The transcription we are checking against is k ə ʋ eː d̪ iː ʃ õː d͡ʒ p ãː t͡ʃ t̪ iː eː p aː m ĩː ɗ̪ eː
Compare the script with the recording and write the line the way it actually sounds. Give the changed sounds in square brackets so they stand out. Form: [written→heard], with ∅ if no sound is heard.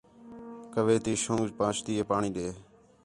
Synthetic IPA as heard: k ə ʋ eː [d̪→t̪] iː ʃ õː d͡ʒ p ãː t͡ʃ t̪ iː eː p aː [m→ɳ] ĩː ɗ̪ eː